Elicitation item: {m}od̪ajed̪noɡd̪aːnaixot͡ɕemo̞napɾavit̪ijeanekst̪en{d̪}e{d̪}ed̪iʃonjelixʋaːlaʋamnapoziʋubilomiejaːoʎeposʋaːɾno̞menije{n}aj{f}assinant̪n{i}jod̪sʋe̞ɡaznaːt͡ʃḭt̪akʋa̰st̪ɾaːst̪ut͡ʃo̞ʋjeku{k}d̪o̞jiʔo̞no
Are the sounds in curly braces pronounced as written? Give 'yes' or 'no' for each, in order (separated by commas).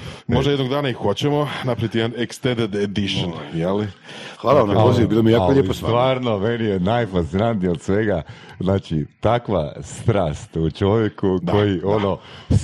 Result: yes, yes, yes, yes, yes, yes, yes